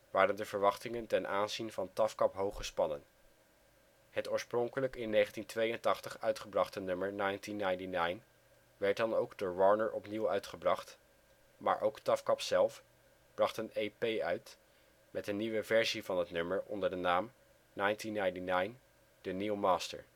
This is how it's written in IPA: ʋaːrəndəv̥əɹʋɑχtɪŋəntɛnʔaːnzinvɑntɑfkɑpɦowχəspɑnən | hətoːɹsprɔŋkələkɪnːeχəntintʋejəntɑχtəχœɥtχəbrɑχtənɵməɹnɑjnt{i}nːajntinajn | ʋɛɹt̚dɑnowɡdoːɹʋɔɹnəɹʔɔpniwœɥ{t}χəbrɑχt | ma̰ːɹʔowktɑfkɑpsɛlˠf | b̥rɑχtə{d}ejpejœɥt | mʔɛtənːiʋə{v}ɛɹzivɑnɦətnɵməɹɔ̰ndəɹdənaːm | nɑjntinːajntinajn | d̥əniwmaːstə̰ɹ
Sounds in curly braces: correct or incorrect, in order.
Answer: correct, correct, incorrect: n, correct

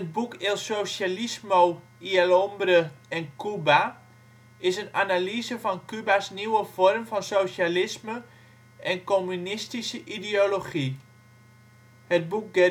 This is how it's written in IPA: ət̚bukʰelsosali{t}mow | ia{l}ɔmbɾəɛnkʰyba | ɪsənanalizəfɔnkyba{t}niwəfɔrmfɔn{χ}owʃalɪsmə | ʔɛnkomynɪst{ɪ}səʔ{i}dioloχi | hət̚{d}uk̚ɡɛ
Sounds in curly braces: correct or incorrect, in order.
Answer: incorrect: s, correct, incorrect: s, incorrect: s, incorrect: i, correct, incorrect: b

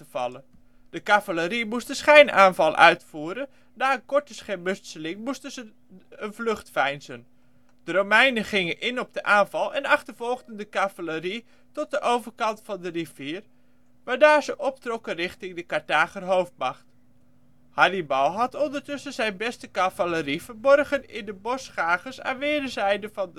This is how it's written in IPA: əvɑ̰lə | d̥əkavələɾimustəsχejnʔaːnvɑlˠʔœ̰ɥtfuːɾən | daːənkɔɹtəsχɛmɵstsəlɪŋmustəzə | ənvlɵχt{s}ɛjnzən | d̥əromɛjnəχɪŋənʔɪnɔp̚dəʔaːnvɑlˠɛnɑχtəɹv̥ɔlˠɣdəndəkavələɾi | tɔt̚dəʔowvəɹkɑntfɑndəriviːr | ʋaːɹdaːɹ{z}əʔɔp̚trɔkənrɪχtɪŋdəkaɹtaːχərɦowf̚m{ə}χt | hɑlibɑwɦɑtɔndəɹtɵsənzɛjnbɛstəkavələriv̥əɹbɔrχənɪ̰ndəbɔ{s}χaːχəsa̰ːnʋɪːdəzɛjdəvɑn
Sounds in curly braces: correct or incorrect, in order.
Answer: incorrect: f, correct, incorrect: ɑ, correct

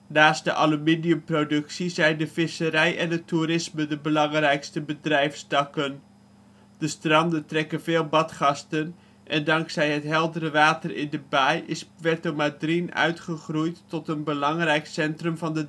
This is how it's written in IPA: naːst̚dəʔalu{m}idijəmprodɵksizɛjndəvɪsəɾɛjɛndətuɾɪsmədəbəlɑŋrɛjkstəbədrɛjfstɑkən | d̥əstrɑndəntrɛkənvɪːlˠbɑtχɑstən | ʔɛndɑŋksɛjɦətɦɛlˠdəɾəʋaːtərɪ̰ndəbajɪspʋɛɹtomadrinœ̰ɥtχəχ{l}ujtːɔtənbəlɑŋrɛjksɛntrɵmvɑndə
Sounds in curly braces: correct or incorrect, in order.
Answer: correct, incorrect: r

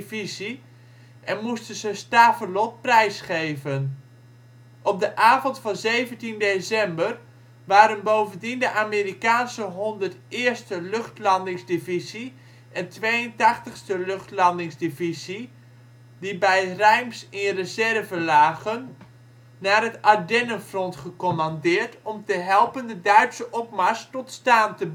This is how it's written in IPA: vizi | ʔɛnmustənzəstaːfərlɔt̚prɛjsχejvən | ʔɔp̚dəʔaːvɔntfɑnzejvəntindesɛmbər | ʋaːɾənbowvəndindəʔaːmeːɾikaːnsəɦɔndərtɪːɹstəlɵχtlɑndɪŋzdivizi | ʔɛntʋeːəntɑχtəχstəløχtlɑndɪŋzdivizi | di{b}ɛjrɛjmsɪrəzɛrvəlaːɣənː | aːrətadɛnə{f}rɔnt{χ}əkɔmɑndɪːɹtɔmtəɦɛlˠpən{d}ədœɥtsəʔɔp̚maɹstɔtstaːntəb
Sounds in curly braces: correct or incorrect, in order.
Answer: correct, correct, correct, correct

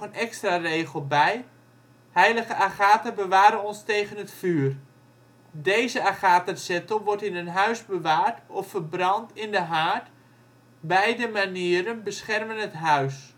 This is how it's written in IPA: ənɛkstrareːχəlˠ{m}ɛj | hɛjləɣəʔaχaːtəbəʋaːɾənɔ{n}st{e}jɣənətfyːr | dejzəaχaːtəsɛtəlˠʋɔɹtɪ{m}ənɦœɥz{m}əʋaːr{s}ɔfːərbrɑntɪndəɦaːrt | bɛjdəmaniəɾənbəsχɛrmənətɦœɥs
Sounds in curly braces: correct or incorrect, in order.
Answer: incorrect: b, correct, correct, incorrect: n, incorrect: b, incorrect: t

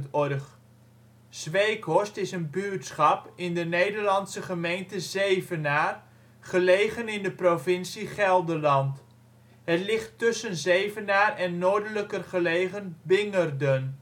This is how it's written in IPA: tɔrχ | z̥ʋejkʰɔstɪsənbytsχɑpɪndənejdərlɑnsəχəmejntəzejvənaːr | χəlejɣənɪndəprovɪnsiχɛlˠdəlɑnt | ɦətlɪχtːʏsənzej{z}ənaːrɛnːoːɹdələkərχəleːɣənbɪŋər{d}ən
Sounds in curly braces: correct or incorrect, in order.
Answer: incorrect: v, correct

